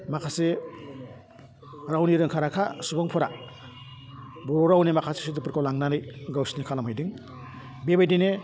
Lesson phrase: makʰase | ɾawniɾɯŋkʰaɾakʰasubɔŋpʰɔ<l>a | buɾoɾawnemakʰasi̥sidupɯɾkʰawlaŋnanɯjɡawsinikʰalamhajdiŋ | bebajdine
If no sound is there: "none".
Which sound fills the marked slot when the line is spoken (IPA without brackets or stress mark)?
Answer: ɾ